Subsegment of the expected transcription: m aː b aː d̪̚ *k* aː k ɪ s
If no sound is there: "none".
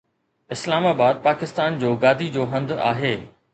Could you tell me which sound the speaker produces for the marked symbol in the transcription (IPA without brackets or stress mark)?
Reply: p